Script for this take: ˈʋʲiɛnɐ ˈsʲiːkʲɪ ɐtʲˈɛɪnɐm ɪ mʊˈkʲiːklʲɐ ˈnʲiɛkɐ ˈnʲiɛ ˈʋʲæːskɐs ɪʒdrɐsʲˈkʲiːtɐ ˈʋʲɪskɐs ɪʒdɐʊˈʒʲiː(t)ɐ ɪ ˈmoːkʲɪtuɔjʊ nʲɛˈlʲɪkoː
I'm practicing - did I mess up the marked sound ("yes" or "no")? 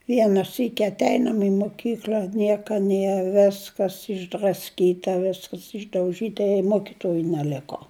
no